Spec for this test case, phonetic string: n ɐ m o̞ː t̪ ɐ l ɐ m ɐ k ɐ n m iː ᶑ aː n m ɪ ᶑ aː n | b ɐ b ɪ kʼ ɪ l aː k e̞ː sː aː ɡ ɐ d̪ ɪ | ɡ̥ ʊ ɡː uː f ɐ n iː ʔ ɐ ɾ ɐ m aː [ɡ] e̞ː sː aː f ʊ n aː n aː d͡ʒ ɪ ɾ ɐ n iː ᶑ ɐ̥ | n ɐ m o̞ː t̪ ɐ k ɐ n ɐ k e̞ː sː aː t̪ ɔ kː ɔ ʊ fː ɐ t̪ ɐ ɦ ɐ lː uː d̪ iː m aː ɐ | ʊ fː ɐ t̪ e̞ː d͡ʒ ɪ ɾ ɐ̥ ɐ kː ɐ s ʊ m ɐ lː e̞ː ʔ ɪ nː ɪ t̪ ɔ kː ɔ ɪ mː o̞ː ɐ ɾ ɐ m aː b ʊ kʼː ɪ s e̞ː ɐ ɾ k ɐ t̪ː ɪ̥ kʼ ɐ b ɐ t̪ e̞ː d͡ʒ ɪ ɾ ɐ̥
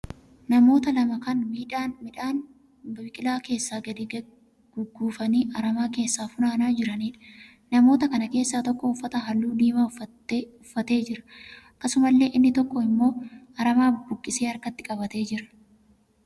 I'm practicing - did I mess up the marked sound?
yes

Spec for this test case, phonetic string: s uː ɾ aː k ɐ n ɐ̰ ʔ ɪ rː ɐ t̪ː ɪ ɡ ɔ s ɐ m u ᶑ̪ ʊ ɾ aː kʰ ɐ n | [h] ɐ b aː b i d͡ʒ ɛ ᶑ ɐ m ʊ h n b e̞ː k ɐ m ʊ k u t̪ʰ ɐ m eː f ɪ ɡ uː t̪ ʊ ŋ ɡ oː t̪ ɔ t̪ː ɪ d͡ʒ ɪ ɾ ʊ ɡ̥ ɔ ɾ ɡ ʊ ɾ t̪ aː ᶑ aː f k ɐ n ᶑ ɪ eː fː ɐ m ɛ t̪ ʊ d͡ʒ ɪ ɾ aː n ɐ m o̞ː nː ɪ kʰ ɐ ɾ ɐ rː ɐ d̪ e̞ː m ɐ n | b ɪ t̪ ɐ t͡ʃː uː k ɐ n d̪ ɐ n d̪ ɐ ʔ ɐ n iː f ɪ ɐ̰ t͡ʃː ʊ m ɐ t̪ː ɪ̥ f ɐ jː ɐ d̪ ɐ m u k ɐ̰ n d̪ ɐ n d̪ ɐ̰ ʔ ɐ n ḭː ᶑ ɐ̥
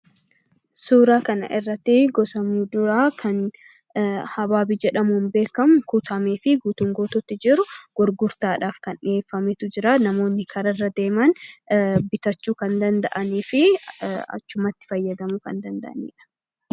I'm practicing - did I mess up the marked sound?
no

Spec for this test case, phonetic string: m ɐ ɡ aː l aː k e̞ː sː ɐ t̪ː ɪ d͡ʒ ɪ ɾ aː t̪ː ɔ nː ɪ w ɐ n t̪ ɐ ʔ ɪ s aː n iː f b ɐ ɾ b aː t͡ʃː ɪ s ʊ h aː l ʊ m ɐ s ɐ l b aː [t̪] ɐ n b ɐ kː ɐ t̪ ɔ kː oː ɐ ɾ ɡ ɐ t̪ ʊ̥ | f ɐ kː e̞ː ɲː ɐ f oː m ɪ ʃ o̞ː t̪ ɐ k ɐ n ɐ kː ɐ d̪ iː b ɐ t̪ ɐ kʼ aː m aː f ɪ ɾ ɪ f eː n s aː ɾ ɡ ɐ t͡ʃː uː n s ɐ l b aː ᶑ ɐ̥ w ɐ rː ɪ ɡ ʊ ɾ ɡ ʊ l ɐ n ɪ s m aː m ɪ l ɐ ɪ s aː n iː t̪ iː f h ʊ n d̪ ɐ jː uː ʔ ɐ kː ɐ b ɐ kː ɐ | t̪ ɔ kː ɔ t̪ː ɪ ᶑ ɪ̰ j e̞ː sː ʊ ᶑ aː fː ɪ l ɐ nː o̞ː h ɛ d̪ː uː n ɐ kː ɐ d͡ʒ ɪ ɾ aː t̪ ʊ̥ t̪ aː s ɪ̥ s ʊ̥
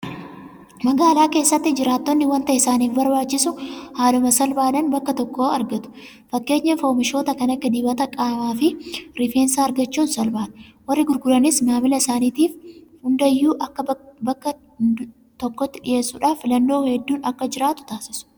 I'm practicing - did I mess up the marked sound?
yes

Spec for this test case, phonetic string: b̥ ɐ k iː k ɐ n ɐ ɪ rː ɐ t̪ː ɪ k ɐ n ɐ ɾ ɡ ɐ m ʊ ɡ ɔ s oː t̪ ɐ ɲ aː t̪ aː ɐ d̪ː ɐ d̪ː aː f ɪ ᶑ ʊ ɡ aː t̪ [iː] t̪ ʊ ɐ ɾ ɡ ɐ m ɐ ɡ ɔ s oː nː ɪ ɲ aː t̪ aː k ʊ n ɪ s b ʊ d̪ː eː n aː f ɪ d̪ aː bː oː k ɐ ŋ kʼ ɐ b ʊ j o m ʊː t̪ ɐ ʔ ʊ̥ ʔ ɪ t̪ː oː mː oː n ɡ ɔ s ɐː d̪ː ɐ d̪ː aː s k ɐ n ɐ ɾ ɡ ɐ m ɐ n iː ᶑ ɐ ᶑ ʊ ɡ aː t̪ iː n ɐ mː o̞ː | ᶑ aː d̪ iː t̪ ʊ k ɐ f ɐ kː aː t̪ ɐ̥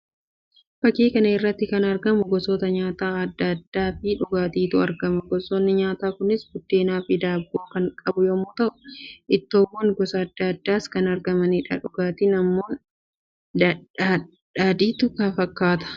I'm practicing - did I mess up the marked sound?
no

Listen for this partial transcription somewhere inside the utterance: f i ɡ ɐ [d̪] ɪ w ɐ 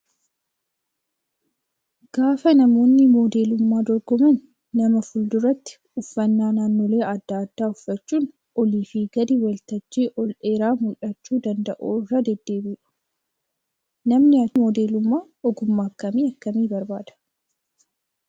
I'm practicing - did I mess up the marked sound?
no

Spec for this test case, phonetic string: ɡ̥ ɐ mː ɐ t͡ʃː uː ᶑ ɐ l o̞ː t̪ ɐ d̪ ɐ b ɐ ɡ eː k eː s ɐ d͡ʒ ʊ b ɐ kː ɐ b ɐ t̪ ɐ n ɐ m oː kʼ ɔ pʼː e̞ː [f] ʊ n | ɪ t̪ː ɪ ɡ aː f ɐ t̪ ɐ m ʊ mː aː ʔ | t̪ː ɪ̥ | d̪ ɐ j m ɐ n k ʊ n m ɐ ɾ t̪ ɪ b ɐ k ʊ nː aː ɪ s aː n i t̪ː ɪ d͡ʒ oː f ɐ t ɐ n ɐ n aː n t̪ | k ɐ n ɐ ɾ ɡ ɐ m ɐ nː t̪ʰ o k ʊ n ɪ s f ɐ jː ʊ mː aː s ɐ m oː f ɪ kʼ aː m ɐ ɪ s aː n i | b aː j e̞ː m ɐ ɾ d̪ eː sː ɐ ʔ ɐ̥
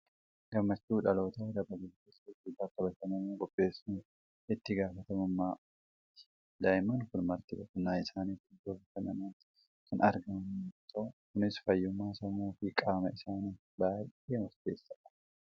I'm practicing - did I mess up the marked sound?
yes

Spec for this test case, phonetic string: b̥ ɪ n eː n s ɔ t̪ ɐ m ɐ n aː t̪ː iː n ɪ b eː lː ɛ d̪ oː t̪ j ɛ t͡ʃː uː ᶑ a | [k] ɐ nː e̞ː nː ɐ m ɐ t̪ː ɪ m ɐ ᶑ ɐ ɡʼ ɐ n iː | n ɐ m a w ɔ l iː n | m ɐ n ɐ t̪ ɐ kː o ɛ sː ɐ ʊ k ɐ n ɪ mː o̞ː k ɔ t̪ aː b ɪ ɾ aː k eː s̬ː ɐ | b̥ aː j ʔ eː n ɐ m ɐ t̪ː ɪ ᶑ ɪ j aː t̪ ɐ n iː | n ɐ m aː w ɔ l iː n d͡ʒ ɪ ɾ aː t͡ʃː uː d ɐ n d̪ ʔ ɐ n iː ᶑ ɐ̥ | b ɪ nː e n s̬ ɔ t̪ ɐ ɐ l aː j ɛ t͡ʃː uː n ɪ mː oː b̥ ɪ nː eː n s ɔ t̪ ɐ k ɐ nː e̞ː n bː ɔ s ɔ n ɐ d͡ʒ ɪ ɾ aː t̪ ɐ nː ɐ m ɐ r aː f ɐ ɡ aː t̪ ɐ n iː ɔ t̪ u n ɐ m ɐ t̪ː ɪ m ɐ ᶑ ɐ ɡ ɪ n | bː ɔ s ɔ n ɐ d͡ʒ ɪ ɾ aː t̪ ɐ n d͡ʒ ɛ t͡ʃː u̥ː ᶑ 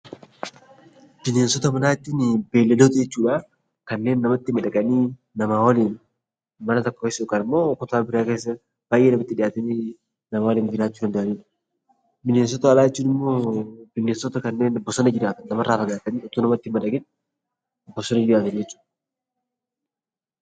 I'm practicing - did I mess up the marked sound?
no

